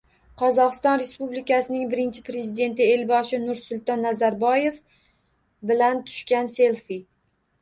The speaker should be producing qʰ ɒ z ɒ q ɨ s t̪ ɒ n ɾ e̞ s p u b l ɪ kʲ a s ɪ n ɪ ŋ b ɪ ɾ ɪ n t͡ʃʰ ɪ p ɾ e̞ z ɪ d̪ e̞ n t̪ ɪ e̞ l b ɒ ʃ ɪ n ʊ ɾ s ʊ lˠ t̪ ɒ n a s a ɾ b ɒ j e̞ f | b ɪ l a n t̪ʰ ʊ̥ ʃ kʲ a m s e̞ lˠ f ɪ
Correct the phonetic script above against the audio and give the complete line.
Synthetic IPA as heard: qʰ ɒ z ɒ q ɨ s t̪ ɒ n ɾ e̞ s p u b l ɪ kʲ a s ɪ n ɪ ŋ b ɪ ɾ ɪ n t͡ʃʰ ɪ p ɾ e̞ z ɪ d̪ e̞ n t̪ ɪ e̞ l b ɒ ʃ ɪ n ʊ ɾ s ʊ lˠ t̪ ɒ nː a z a ɾ b ɒ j e̞ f | b ɪ l a n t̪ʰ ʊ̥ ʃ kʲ a n s e̞ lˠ f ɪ